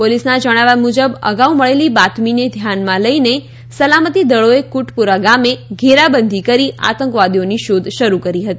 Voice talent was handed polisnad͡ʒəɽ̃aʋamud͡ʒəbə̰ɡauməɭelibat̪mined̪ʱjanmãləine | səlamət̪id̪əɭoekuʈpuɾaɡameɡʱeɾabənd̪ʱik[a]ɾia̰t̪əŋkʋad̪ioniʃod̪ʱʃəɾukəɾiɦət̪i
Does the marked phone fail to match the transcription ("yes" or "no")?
yes